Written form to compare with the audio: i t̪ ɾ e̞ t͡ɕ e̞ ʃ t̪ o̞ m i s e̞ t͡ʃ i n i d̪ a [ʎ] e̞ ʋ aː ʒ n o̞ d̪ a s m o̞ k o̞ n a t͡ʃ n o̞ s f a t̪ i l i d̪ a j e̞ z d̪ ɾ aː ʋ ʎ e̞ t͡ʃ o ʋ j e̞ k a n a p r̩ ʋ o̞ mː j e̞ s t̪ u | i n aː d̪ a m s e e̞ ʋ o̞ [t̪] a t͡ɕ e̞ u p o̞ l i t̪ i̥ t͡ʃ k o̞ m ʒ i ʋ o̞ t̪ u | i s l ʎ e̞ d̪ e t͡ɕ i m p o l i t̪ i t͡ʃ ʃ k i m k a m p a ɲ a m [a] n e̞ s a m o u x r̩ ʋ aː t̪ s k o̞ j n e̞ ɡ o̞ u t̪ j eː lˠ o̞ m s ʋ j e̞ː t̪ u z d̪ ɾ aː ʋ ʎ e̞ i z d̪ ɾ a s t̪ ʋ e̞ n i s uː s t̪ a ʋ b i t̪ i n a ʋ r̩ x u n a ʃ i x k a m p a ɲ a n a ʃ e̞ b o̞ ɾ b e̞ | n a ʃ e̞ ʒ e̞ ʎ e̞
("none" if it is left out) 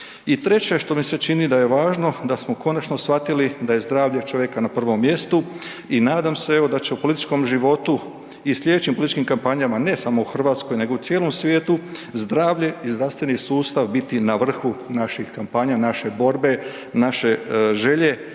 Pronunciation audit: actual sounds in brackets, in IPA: j, d̪, a

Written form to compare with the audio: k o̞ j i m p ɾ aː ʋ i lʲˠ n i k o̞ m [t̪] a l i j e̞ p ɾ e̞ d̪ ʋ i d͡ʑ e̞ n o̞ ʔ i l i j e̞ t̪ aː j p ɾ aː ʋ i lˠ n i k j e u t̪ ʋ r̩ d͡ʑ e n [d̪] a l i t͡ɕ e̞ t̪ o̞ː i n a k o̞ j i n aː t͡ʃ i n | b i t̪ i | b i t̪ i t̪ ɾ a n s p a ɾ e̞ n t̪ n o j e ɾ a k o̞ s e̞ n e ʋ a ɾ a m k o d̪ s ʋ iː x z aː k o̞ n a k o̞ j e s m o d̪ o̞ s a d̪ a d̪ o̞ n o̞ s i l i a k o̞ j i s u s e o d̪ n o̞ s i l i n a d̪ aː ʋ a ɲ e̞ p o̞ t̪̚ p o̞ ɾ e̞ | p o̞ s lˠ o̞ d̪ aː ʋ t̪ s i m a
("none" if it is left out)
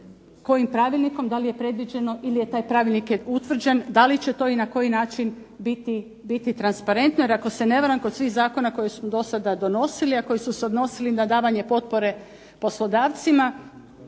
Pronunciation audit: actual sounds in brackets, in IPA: d̪, d̪

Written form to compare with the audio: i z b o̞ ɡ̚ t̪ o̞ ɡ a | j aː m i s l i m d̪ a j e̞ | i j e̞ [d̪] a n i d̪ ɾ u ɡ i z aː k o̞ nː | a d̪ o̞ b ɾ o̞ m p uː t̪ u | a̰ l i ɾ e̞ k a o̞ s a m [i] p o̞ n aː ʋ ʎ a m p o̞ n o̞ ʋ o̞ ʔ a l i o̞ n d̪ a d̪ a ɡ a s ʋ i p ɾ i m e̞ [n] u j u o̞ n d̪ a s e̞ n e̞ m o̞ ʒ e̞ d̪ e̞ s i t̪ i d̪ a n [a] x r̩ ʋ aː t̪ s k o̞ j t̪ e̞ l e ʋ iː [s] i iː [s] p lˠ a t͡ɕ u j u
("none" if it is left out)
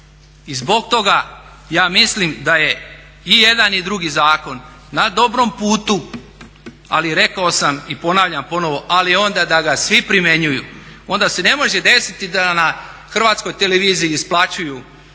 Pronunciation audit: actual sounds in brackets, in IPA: d̪, i, ɲ, a, z, s

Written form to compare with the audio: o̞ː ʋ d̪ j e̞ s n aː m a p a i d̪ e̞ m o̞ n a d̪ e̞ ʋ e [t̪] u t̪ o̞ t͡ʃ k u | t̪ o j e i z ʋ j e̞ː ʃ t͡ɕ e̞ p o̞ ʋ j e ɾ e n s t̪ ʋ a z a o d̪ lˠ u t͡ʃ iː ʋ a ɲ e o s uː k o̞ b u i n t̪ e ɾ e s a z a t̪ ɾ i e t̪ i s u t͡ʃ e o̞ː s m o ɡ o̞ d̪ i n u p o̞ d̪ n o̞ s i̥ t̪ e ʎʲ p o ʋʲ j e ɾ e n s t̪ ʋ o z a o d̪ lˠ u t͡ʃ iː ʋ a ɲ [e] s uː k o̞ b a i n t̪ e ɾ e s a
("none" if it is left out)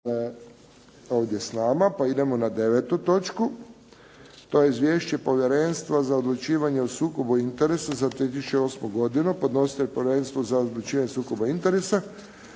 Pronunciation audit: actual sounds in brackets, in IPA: t̪, e

